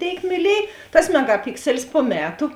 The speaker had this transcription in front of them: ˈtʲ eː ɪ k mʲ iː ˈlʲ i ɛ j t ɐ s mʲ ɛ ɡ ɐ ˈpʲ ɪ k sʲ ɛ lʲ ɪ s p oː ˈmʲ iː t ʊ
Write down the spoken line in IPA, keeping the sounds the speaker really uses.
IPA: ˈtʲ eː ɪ k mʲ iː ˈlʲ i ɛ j t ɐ s mʲ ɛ ɡ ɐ ˈpʲ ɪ k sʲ ɛ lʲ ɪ s p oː ˈmʲ æː t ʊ